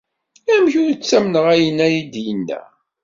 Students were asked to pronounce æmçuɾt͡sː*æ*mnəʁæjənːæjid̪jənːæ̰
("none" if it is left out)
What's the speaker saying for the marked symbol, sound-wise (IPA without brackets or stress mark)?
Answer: æ